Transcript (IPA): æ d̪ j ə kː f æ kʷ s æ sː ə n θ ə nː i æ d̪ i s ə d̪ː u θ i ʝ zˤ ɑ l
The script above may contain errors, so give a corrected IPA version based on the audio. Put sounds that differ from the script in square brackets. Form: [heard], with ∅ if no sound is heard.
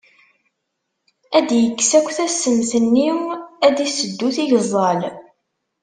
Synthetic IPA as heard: æ d̪ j ə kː [s] æ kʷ [θ] æ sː ə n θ ə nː i æ d̪ i s ə d̪ː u θ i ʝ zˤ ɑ l